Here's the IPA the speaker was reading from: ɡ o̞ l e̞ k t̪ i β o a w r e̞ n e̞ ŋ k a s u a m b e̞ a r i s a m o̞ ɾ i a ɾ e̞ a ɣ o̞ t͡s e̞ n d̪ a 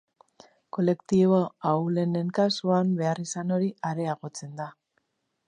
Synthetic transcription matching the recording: k o̞ l e̞ k t̪ i β o a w l e̞ n e̞ ŋ k a s u a m b e̞ a r i s a n o̞ ɾ i a ɾ e̞ a ɣ o̞ t͡s e̞ n d̪ a